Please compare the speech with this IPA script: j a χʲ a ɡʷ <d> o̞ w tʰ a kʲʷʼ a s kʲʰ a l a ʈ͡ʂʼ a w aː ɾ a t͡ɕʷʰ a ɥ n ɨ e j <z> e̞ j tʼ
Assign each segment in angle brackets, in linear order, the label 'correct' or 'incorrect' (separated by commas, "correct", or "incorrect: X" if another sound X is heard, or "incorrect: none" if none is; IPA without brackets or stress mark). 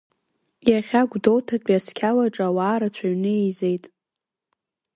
correct, correct